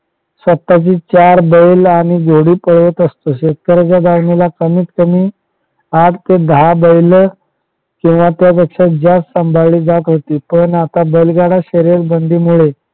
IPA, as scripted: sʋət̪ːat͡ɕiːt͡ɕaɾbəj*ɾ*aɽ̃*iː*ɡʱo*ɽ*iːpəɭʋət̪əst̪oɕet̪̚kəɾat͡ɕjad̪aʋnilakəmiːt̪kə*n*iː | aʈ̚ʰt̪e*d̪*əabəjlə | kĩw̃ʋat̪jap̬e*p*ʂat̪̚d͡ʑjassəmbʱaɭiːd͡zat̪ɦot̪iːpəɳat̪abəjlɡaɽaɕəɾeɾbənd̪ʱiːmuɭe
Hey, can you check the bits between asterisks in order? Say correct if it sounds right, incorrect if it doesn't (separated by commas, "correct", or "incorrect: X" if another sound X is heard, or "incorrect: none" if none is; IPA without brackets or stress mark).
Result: incorrect: l, incorrect: i, correct, incorrect: m, correct, incorrect: k